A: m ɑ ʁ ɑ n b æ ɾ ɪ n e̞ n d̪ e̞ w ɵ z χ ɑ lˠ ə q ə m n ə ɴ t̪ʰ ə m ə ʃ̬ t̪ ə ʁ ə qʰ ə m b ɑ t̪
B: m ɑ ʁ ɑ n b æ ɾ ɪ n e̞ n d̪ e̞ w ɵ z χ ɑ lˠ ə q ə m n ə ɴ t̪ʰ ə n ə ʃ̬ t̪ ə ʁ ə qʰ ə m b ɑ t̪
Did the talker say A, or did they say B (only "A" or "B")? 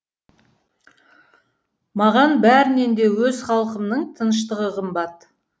B